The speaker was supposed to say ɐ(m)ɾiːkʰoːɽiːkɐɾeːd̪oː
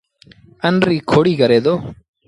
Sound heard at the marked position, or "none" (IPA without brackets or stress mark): n